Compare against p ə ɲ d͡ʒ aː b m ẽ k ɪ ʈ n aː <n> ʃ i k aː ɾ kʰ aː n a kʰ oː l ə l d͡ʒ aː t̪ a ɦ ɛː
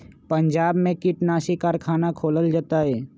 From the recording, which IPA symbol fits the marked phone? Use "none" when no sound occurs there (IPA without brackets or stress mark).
none